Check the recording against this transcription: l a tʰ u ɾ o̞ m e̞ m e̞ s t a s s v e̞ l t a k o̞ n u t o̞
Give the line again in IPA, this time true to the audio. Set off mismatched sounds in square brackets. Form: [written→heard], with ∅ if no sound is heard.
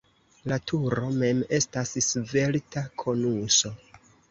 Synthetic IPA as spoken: l a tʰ u ɾ o̞ m e̞ m e̞ s t a s s v e̞ l t a [k→kʰ] o̞ n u [t→s] o̞